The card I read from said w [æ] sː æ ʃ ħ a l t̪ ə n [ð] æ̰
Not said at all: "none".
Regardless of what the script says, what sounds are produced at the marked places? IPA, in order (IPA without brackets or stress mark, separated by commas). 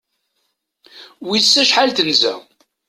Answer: i, z